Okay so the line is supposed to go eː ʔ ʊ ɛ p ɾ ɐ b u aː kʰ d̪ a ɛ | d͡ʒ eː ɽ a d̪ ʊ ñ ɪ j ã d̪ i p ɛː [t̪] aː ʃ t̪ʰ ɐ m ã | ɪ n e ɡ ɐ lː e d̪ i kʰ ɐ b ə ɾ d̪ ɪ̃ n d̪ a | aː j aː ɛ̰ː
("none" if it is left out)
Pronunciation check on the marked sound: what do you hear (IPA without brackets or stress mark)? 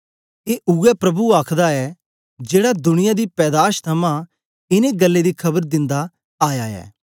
d̪